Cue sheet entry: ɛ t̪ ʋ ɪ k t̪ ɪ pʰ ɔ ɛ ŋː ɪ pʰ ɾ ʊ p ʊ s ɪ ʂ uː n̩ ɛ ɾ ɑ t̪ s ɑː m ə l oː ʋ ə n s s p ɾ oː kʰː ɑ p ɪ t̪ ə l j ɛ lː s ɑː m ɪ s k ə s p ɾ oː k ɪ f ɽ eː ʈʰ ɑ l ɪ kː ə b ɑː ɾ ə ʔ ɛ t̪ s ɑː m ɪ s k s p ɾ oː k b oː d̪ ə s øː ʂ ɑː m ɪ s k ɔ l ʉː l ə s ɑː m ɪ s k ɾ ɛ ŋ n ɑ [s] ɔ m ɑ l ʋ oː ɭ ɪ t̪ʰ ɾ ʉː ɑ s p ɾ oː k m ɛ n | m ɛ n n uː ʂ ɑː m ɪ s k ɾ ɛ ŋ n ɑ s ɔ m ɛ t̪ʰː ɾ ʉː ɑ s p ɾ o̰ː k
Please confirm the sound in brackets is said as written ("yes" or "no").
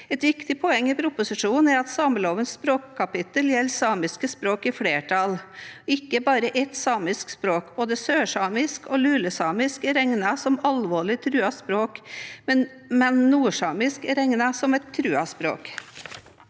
yes